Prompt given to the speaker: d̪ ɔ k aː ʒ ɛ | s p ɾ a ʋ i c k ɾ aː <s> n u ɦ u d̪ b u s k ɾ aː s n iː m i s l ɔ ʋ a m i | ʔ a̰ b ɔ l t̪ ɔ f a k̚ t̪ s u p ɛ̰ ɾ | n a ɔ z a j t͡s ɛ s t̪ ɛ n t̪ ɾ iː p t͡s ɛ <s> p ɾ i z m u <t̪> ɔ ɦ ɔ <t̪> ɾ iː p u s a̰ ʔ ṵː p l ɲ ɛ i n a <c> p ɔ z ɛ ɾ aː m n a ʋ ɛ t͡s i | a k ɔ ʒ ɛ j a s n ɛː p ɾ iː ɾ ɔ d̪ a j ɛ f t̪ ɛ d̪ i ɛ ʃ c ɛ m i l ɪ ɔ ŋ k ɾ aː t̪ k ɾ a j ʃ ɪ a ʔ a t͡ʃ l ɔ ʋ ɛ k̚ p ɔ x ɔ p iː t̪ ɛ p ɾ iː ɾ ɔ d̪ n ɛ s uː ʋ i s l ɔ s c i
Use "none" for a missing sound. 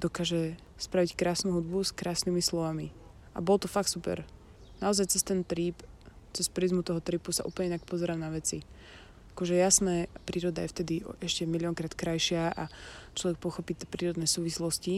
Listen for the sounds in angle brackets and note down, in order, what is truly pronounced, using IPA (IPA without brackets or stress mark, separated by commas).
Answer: s, s, t̪, t̪, k